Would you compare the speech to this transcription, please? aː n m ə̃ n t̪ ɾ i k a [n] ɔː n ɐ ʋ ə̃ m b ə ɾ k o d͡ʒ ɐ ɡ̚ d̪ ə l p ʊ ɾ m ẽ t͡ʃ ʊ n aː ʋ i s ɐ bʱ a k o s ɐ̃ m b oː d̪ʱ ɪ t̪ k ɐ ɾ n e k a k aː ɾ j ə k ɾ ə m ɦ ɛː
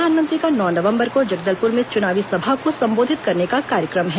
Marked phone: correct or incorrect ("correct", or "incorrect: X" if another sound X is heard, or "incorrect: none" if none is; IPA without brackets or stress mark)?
correct